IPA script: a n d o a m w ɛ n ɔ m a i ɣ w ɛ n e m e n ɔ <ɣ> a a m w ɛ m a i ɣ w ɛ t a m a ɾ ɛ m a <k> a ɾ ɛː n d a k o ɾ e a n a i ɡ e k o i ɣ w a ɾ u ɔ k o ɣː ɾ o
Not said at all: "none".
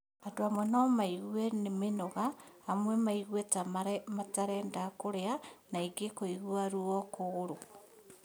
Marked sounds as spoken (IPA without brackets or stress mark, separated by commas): ɣ, t